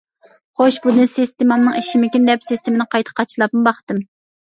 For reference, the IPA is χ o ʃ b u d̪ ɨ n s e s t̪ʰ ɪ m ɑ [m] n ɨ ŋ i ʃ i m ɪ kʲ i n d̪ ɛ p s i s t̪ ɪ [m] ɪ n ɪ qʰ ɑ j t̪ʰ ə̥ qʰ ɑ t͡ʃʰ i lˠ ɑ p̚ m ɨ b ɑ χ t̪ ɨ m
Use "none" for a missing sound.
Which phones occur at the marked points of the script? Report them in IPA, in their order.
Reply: m, m

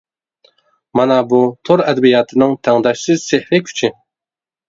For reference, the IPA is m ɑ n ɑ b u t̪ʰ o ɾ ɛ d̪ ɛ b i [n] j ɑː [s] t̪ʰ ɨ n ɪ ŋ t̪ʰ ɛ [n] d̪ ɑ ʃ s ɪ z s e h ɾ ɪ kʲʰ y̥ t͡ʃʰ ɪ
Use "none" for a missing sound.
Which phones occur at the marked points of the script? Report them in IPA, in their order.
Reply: none, none, ŋ

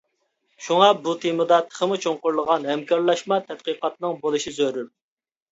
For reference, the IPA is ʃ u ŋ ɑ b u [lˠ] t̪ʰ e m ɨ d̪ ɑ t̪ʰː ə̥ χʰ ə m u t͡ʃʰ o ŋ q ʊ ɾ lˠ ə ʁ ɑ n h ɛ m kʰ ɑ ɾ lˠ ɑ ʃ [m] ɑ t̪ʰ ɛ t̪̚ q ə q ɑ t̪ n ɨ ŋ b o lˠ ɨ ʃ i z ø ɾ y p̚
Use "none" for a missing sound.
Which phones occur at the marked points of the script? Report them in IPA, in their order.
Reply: none, m

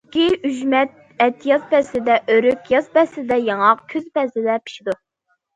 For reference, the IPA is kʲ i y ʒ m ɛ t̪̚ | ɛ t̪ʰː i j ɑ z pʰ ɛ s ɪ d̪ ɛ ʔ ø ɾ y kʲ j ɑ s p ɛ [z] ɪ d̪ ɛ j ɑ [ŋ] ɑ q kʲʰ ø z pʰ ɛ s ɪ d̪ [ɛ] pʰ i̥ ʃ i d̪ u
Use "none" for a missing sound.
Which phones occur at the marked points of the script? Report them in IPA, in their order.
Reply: s, ŋ, ɛ

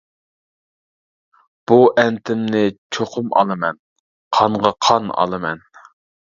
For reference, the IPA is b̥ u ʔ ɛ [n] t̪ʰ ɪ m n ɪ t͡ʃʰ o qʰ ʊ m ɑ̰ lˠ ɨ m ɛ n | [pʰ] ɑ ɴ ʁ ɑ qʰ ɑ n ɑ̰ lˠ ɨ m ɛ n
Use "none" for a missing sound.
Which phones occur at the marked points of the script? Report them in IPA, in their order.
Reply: n, qʰ

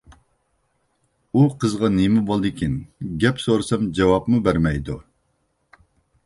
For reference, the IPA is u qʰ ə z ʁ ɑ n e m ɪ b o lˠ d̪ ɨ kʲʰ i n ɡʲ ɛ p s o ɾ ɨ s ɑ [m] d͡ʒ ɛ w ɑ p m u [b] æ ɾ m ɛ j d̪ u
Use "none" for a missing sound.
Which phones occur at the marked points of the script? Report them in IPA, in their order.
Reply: m, b

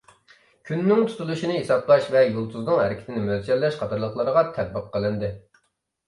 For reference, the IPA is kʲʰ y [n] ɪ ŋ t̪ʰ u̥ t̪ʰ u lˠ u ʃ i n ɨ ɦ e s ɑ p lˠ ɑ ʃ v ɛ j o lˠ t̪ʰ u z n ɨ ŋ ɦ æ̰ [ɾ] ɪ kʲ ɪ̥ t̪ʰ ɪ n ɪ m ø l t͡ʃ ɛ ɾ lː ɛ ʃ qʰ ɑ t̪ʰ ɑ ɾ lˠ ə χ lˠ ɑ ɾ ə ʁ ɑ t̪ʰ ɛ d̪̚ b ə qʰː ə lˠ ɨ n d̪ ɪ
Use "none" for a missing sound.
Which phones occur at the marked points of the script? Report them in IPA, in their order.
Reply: nː, ɾ

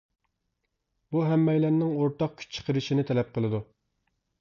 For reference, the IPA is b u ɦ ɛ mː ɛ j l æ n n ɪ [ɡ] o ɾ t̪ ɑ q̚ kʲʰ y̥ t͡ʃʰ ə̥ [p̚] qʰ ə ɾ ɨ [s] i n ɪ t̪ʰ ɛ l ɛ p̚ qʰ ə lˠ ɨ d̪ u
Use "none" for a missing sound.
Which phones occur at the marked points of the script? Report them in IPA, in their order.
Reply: ŋ, none, ʃ

